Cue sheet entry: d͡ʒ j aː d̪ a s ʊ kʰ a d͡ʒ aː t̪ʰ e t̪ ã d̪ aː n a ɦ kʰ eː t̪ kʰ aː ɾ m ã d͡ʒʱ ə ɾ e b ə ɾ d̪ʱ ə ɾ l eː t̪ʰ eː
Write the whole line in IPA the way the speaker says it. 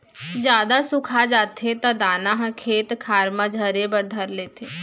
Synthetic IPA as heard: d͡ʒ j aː d̪ a s ʊ kʰ a d͡ʒ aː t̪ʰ e t̪ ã d̪ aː n a ɦ kʰ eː t̪ kʰ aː ɾ m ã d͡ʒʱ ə ɾ e b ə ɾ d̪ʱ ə ɾ l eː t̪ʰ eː

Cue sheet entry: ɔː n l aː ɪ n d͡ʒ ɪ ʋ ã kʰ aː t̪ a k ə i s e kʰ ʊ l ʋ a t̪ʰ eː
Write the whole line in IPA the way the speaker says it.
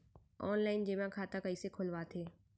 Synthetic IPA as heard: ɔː n l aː ɪ n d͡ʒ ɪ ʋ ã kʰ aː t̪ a k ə i s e kʰ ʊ l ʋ a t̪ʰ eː

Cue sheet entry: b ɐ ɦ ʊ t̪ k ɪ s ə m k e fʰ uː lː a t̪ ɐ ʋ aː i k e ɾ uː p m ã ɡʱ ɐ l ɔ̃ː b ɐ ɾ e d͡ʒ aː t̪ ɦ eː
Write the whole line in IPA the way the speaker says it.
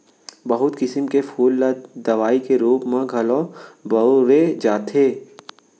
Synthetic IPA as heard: b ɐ ɦ ʊ t̪ k ɪ s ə m k e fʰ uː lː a d̪ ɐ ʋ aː i k e ɾ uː p m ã ɡʱ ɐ l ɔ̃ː b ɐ ɾ e d͡ʒ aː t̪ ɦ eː

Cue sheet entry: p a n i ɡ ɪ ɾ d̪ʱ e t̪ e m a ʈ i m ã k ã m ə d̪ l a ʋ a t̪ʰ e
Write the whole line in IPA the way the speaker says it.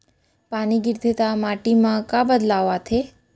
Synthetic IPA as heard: p a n i ɡ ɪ ɾ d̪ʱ e t̪ a m a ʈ i m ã k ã b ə d̪ l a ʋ a t̪ʰ e

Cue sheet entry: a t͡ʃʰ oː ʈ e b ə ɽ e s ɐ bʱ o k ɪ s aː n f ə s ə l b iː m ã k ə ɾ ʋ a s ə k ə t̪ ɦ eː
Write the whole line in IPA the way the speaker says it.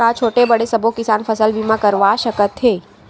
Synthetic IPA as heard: a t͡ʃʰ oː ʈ e b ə ɽ e s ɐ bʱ o k ɪ s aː n f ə s ə l b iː m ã k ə ɾ ʋ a ʃ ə k ə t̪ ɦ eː

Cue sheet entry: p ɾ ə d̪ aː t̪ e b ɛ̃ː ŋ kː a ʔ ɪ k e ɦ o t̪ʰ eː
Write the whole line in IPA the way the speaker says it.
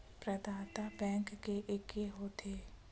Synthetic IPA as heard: p ɾ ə d̪ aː t̪ a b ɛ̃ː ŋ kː e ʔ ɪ k e ɦ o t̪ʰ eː

